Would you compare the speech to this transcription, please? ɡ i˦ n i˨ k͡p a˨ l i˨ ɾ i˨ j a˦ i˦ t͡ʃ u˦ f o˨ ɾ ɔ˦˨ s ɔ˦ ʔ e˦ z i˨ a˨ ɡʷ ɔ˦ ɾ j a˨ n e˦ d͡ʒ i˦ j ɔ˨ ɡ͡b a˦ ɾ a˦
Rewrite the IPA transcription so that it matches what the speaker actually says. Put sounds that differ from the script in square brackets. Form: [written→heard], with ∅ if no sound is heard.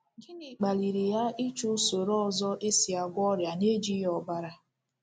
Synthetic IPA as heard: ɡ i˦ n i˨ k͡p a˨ l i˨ ɾ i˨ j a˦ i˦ t͡ʃ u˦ [f→s] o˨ ɾ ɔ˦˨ [s→z] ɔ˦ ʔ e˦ [z→s] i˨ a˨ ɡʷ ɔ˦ ɾ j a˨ n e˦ d͡ʒ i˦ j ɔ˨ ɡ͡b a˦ ɾ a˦